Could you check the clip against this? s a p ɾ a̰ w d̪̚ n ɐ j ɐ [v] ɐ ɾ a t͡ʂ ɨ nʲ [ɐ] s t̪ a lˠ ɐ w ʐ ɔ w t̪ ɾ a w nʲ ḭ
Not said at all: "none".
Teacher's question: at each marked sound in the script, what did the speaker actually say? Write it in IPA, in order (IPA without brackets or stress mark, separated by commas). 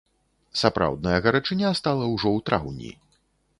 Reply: ɣ, a